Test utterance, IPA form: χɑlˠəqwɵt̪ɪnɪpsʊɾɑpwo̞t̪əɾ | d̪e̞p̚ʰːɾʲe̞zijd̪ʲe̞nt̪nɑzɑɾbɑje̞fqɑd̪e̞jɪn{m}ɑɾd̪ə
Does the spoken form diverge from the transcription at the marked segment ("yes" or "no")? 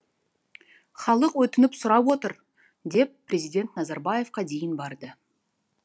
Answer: yes